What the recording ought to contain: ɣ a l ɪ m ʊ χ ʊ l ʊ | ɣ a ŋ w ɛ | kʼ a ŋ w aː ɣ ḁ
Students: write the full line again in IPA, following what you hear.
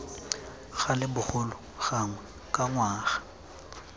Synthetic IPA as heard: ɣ a l ɪ b ʊ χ ʊ l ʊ | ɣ a ŋ w ɛ | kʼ a ŋ w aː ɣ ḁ

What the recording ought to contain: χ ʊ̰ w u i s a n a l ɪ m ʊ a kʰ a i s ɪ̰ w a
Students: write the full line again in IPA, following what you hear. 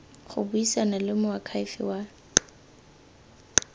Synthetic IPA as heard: χ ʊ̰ b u i s a n a l ɪ m ʊ a kʰ a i f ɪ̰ w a

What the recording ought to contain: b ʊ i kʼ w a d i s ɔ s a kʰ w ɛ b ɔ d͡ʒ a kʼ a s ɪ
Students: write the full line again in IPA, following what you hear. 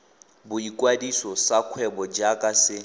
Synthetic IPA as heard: b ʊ i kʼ w a d i s ɔ s a kʰ w ɛ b ɔ d͡ʒ a kʼ a s ɪ

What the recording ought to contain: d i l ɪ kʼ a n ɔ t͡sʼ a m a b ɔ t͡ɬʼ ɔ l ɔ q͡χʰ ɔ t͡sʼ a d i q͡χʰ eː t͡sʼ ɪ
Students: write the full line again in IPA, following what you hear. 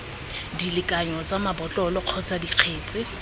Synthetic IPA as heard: d i l ɪ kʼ a ɲ ɔ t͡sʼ a m a b ɔ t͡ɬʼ ɔ l ɔ q͡χʰ ɔ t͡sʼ a d i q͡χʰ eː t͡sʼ ɪ

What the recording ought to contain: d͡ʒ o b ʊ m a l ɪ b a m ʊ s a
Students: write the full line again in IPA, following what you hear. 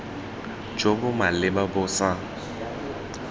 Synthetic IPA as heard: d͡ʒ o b ʊ m a l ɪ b a b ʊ s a

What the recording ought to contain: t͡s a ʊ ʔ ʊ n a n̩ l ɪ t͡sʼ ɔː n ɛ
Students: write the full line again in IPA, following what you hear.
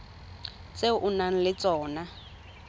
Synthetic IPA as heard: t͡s e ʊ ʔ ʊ n a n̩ l ɪ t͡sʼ ɔː n a

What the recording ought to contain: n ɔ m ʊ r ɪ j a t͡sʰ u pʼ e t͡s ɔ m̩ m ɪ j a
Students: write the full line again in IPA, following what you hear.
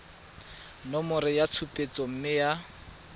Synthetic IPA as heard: n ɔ m ʊ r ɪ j a t͡sʰ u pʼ e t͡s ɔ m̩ m ɪ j a

